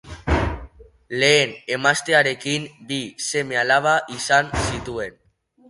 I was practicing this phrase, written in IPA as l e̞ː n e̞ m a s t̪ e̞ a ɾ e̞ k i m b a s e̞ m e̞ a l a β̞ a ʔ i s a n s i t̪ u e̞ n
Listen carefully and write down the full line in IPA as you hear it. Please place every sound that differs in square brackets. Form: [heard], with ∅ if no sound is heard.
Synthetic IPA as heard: l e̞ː n e̞ m a s t̪ e̞ a ɾ e̞ k i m b [i] s e̞ m e̞ a l a β̞ a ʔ i s a n s i t̪ u e̞ n